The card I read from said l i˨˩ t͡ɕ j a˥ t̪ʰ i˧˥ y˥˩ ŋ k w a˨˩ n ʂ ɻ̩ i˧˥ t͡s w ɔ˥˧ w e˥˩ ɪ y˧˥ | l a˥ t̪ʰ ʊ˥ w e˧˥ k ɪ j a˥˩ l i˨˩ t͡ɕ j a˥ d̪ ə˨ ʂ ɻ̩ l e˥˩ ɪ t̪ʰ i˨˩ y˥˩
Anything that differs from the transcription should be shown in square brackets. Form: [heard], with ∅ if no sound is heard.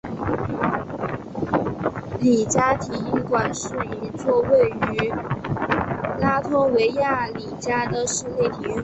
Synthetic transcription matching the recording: l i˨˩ t͡ɕ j a˥ t̪ʰ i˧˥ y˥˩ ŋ k w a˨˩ n ʂ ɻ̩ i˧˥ t͡s w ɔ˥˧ w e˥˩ ɪ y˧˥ | l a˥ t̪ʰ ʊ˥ w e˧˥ [∅] ɪ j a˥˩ l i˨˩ t͡ɕ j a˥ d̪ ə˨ ʂ ɻ̩ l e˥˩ ɪ t̪ʰ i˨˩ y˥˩